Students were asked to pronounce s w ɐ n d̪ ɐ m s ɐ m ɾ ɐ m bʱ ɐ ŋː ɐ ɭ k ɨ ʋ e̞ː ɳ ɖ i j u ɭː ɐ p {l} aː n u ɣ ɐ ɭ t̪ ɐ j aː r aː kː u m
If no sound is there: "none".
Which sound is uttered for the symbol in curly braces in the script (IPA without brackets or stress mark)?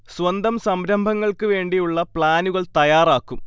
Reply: ɭ